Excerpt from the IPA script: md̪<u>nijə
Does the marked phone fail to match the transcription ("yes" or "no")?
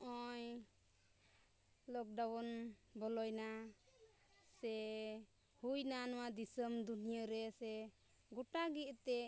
no